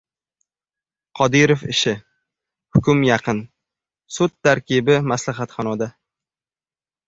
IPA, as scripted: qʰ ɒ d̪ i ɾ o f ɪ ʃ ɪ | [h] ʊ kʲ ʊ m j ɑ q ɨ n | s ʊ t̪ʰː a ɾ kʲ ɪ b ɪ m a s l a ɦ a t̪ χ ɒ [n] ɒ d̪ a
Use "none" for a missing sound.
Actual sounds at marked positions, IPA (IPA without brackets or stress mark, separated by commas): h, n